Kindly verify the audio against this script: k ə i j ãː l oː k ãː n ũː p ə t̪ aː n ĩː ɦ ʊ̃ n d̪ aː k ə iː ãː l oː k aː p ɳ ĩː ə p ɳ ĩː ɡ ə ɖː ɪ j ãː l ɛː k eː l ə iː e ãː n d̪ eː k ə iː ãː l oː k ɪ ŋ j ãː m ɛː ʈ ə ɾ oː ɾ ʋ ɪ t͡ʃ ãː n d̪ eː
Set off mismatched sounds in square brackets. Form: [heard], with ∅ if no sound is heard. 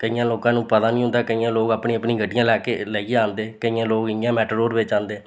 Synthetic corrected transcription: k ə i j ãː l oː k ãː n ũː p ə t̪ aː n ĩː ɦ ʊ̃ n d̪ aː k ə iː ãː l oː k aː p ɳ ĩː ə p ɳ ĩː ɡ ə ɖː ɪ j ãː l ɛː k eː l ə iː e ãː n d̪ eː k ə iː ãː l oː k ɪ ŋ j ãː m ɛː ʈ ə ɾ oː ɾ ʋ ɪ t͡ʃ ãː n d̪ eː